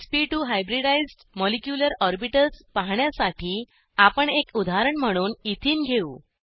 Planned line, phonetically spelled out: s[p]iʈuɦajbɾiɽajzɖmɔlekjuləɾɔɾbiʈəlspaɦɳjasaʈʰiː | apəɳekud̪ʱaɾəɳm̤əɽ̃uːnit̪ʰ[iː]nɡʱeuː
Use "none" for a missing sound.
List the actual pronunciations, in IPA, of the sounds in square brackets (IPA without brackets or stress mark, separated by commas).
p, iː